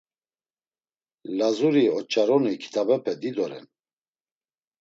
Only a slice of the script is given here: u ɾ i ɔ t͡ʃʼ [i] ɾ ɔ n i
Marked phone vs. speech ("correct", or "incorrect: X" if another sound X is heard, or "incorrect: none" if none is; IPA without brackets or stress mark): incorrect: a